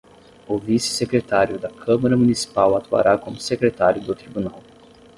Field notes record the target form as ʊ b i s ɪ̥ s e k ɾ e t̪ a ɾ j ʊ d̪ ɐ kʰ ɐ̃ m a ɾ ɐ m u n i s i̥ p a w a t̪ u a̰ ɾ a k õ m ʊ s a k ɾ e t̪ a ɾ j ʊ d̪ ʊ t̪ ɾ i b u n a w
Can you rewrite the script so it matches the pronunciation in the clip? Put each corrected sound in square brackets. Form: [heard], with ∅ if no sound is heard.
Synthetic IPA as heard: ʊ [v] i s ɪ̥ s e k ɾ e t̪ a ɾ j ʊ d̪ ɐ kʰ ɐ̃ m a ɾ ɐ m u n i s i̥ p a w a t̪ u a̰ ɾ a k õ m ʊ s [e] k ɾ e t̪ a ɾ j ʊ d̪ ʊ t̪ ɾ i b u n a w